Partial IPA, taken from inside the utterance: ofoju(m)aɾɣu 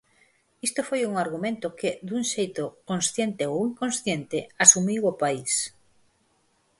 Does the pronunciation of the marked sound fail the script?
yes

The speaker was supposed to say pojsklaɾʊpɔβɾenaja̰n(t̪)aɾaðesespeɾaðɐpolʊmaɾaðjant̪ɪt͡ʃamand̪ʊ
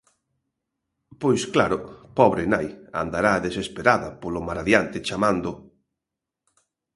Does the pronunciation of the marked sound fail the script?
yes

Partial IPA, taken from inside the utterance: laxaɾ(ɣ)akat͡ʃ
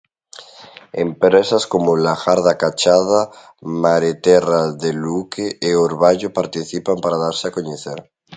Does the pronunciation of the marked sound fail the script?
yes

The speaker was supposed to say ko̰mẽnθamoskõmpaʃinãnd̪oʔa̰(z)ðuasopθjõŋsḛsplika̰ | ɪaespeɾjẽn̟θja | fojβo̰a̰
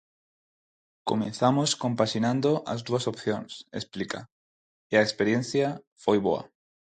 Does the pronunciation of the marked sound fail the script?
no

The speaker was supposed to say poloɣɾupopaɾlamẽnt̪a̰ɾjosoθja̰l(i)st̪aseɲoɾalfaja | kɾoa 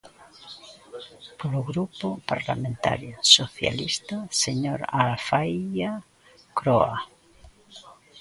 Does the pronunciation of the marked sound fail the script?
no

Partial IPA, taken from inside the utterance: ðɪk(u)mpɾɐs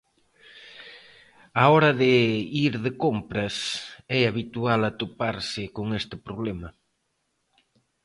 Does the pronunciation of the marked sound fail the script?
yes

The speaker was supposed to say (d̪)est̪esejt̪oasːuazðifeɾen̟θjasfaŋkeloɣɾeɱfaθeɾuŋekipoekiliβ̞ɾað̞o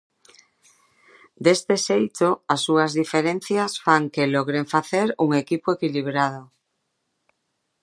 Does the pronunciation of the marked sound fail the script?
no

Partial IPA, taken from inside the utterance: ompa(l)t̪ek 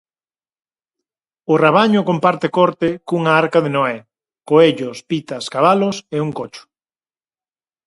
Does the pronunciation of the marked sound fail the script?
yes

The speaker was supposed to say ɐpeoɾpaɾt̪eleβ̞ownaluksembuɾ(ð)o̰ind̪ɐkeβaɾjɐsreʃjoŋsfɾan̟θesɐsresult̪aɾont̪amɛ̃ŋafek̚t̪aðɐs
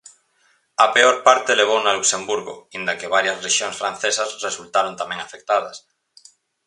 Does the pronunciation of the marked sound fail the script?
yes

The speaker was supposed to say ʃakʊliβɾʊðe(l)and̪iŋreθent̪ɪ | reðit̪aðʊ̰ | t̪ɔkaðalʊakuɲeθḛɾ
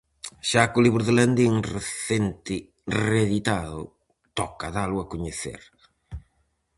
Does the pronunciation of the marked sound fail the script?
no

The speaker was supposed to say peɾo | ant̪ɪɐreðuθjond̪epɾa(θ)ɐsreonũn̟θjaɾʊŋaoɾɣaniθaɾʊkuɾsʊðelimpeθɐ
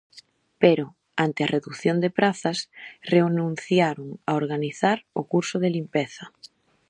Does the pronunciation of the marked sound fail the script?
no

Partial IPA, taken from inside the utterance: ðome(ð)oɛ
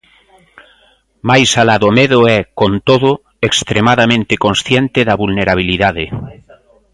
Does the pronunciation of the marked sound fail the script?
no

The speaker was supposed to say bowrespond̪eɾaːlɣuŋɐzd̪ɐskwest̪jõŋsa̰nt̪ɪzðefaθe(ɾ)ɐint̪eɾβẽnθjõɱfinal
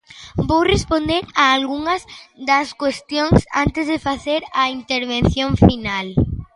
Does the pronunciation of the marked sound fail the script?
no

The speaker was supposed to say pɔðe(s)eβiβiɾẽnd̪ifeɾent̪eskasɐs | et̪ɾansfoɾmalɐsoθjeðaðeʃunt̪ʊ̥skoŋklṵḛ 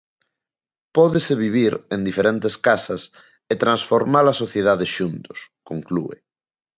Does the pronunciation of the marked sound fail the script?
no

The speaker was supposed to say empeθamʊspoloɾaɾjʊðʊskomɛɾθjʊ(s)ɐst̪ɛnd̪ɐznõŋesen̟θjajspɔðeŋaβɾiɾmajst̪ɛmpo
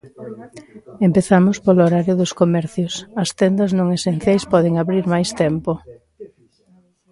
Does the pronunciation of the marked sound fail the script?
no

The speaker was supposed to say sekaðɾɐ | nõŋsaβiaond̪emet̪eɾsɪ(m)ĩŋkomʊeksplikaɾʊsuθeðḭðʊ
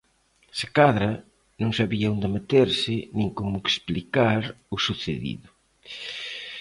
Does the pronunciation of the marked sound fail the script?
yes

